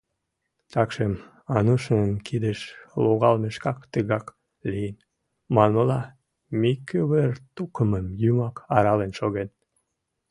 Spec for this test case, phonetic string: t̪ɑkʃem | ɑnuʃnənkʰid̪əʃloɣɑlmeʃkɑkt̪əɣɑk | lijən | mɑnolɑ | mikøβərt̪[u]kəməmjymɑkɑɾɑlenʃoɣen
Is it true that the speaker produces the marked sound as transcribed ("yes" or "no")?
yes